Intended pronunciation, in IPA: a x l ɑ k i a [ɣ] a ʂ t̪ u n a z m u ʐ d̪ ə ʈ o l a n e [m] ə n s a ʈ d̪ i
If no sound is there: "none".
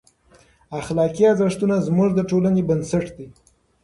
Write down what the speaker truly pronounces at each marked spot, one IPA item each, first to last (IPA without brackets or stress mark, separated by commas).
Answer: z, b